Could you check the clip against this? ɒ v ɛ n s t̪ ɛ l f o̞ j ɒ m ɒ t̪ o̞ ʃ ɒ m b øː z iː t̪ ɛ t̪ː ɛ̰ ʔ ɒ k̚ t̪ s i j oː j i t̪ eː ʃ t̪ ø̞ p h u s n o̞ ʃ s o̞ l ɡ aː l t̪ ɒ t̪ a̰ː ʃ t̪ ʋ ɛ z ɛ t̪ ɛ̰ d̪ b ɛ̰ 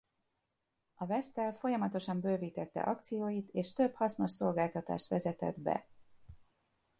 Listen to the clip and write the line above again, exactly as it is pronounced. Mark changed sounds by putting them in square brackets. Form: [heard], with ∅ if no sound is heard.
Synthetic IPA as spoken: ɒ v ɛ [∅] s t̪ ɛ l f o̞ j ɒ m ɒ t̪ o̞ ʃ ɒ m b øː [v] iː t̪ ɛ t̪ː ɛ̰ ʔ ɒ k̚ t̪ s i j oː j i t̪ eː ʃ t̪ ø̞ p h [ɒ] s n o̞ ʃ s o̞ l ɡ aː l t̪ ɒ t̪ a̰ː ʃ t̪ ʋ ɛ z ɛ t̪ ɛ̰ d̪ b ɛ̰